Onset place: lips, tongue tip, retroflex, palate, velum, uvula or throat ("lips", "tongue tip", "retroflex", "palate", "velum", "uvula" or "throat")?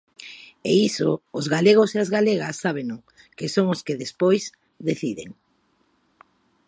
tongue tip